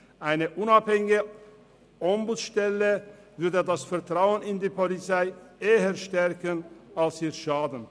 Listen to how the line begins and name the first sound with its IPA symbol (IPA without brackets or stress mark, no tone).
ʔ